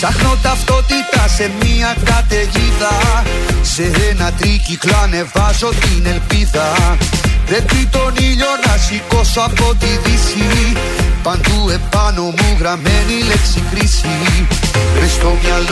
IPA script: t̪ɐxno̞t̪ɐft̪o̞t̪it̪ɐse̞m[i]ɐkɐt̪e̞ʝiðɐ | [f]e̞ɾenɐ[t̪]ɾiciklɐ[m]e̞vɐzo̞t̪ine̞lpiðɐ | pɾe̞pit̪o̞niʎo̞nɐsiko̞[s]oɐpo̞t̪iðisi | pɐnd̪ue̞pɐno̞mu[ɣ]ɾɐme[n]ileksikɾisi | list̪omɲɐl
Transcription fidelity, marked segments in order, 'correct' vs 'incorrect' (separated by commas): correct, incorrect, correct, incorrect, correct, correct, correct